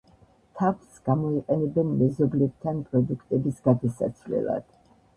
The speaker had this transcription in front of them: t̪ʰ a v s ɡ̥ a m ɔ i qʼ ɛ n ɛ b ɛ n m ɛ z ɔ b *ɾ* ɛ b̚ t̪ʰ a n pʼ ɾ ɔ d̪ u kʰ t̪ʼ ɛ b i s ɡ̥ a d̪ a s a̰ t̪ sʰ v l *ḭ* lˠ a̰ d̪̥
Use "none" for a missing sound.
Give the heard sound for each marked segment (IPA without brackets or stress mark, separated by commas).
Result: l, ɛ̰